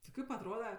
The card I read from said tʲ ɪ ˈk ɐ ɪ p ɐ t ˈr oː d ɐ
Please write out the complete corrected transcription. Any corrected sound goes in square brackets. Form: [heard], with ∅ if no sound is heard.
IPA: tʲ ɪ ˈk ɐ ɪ p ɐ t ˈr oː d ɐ